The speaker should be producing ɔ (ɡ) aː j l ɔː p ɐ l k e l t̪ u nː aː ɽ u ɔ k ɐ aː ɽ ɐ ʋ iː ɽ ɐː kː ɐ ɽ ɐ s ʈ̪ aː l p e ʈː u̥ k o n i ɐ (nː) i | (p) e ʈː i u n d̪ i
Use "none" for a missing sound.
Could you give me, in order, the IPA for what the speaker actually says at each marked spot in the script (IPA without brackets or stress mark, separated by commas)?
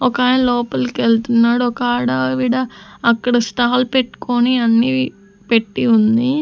k, nː, p